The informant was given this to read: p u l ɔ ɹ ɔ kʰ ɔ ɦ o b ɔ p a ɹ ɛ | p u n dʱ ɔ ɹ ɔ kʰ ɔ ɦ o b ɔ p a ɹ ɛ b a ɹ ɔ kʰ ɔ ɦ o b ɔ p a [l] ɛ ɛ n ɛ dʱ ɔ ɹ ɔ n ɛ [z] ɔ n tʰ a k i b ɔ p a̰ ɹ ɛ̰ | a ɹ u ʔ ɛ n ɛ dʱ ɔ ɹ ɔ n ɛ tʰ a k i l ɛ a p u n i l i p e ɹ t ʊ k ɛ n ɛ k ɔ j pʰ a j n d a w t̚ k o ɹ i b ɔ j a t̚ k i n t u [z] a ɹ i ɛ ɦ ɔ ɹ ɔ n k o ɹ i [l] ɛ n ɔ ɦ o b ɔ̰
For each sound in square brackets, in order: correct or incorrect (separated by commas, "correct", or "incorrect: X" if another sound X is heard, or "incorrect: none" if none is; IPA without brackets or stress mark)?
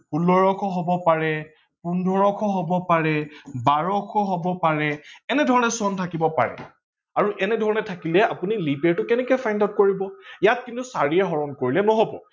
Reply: incorrect: ɹ, incorrect: s, incorrect: s, correct